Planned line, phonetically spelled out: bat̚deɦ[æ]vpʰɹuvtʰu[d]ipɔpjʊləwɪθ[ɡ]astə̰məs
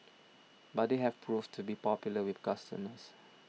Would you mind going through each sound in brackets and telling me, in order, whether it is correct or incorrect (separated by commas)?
incorrect, incorrect, incorrect